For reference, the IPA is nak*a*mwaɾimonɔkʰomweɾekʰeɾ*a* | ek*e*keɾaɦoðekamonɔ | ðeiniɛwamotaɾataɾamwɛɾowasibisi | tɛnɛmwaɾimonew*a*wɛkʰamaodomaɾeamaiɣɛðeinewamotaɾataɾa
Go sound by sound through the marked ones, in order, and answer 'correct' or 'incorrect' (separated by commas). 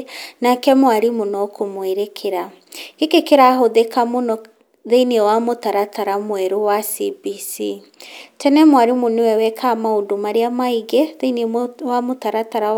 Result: incorrect, correct, correct, incorrect